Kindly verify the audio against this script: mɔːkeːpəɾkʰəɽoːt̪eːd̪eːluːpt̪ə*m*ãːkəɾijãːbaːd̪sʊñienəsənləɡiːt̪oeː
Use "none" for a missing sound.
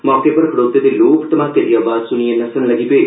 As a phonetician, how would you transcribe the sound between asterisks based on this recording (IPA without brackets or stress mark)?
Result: m